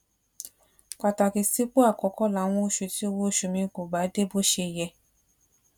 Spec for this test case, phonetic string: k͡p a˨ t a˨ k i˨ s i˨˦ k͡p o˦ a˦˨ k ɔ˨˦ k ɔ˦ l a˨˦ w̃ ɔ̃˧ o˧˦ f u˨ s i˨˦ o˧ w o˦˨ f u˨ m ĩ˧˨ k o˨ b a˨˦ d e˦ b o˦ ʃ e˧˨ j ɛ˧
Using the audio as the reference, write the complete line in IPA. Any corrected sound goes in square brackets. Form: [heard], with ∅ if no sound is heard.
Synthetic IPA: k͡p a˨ t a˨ k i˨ s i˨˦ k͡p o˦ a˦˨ k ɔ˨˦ k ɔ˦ l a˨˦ w̃ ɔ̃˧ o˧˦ [ʃ] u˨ [t] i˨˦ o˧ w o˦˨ [ʃ] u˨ m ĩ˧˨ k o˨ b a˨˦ d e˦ b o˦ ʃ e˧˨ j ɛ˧